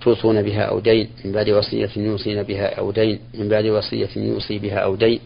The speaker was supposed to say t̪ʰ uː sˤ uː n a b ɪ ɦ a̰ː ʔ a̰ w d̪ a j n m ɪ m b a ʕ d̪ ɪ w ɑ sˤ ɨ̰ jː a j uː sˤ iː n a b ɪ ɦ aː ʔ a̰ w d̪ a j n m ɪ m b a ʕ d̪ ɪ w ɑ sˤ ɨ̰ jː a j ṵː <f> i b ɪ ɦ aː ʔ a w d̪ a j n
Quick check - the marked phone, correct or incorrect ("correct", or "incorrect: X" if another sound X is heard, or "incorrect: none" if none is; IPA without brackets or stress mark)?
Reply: incorrect: s